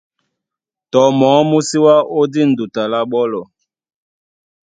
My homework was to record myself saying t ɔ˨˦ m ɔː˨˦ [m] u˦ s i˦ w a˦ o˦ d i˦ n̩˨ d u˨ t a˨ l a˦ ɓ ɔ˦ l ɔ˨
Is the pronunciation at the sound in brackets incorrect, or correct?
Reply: correct